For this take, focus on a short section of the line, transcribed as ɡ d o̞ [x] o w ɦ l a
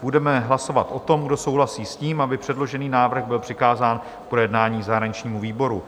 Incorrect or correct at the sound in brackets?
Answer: incorrect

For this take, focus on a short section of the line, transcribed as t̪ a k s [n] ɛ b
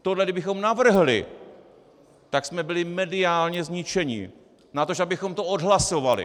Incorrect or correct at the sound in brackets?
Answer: incorrect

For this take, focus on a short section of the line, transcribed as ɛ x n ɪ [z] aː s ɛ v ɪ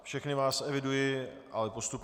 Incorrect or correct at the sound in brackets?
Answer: incorrect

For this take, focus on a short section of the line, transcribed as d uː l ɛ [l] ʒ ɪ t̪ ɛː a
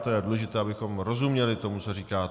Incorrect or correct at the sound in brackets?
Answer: incorrect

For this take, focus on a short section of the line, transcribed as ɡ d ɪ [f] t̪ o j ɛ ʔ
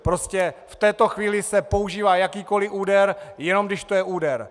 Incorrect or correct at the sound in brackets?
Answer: incorrect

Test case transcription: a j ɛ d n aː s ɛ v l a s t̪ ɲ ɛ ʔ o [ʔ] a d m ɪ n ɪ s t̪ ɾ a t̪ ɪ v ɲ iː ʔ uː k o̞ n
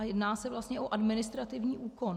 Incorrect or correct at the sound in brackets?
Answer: correct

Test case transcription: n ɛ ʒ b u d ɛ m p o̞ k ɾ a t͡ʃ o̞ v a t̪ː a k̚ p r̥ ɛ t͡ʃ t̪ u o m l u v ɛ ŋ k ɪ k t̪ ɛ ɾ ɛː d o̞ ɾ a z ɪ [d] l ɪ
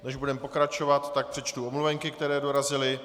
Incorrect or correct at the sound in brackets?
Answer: incorrect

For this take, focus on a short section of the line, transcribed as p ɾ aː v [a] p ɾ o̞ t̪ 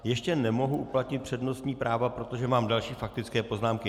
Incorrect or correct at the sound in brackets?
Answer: correct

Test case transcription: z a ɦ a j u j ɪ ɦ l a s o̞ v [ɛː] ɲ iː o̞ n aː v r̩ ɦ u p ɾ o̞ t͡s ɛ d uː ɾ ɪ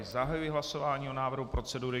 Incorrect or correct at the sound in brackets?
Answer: incorrect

